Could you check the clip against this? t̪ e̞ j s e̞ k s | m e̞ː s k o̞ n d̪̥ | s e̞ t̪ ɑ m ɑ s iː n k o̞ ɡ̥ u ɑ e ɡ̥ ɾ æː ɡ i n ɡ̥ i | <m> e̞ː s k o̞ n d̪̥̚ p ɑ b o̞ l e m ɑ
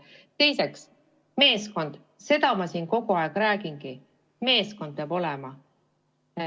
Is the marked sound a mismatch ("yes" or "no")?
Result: no